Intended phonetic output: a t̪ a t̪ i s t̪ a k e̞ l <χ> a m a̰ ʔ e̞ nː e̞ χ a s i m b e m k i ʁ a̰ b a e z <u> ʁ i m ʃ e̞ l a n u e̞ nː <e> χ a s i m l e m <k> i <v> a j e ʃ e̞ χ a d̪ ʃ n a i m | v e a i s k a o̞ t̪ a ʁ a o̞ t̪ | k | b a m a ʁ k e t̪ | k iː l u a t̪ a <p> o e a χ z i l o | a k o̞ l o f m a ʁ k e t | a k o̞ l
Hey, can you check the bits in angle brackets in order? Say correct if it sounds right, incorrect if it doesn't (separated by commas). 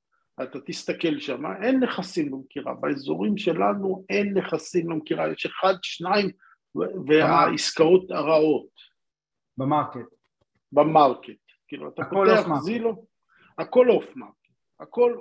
incorrect, incorrect, correct, correct, incorrect, correct